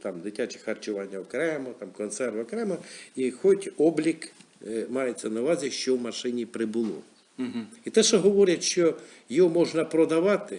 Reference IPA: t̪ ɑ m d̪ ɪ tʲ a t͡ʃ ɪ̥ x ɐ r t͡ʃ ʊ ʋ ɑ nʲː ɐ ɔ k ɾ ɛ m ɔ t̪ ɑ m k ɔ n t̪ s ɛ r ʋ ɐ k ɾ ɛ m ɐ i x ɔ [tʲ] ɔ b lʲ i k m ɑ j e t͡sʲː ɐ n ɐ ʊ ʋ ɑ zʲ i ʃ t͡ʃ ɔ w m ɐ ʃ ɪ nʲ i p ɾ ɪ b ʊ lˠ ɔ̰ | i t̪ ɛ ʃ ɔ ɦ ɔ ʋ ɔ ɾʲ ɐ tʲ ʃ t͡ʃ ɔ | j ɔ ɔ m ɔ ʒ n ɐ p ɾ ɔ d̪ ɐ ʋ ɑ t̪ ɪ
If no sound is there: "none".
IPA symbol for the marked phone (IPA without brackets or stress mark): tʲ